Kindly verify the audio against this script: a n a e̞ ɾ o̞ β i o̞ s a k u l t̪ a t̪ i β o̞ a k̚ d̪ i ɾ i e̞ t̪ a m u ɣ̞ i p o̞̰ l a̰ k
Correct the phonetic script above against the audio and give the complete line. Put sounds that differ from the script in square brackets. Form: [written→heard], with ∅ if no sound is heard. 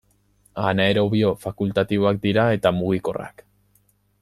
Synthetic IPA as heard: a n a e̞ ɾ o̞ β i o̞ [s→f] a k u l t̪ a t̪ i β o̞ a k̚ d̪ i ɾ [i→a] e̞ t̪ a m u ɣ̞ i [p→k] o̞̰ [l→r] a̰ k